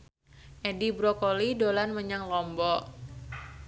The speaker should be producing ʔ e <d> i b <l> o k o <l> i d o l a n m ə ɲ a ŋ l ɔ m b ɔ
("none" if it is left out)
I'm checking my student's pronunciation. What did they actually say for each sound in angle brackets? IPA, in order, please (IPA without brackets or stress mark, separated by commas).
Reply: d, ɾ, l